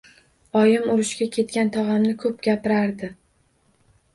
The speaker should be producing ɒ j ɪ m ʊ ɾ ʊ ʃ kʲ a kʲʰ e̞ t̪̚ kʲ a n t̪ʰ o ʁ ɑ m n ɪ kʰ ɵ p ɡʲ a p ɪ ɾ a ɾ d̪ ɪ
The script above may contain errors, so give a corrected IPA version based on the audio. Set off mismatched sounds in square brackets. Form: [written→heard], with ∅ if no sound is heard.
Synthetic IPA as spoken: ɒ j ɪ m ʊ ɾ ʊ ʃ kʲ a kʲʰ e̞ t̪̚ kʲ a n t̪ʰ [o→ɒ] ʁ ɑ m n ɪ kʰ ɵ p ɡʲ a p ɪ ɾ a ɾ d̪ ɪ